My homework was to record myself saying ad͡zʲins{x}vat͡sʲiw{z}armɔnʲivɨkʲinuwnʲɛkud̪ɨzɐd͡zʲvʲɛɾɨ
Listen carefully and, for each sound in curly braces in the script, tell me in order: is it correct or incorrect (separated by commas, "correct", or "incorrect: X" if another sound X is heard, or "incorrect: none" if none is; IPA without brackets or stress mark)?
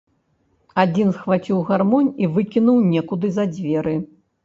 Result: correct, incorrect: ɣ